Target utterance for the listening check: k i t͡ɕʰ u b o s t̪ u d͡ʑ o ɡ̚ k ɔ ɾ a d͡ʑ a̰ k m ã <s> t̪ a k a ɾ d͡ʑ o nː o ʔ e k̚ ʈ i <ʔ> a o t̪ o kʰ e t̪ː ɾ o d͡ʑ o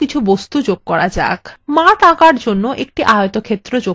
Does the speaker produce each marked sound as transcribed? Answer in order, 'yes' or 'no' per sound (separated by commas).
no, yes